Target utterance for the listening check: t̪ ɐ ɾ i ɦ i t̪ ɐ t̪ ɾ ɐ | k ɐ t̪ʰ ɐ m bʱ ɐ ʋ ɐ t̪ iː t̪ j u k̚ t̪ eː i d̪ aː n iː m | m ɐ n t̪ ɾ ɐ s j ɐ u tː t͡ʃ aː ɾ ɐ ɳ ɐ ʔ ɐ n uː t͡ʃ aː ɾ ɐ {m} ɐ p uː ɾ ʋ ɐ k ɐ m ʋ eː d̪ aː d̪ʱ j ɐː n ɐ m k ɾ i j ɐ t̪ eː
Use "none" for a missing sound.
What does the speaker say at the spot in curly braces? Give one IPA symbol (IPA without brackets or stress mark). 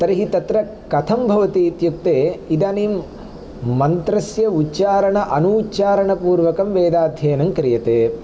ɳ